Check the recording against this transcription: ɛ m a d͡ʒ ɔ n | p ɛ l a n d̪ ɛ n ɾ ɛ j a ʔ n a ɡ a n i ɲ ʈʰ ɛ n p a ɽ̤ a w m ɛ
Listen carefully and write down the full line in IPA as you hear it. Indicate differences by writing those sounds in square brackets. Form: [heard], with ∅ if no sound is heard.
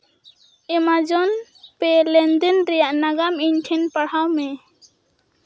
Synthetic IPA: ɛ m a d͡ʒ ɔ n | p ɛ l [ɛ] n d̪ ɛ n ɾ ɛ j a ʔ n a ɡ a [m] i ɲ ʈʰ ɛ n p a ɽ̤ a w m ɛ